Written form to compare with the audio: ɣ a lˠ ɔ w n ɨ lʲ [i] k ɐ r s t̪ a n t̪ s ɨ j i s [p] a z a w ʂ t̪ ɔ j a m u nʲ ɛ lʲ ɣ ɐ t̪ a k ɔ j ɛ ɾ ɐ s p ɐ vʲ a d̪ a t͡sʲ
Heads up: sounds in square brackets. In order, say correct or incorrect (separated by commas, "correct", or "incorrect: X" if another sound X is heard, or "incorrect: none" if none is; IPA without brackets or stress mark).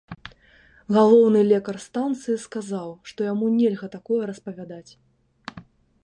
incorrect: ɛ, incorrect: k